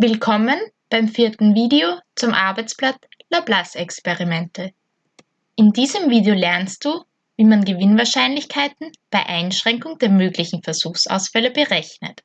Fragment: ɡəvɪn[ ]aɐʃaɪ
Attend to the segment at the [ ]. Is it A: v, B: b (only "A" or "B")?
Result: A